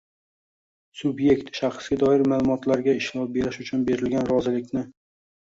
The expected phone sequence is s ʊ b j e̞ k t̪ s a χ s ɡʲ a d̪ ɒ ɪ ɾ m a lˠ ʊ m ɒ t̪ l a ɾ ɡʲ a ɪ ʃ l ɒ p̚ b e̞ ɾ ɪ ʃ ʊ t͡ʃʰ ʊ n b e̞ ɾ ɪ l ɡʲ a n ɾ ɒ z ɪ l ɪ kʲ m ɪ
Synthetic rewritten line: s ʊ b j e̞ k t̪ ʃ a χ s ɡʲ a d̪ ɒ ɪ ɾ m a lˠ ʊ m ɒ t̪ l a ɾ ɡʲ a ɪ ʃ l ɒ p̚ b e̞ ɾ ɪ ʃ ʊ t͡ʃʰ ʊ n b e̞ ɾ ɪ l ɡʲ a n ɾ ɒ z ɪ l ɪ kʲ n ɪ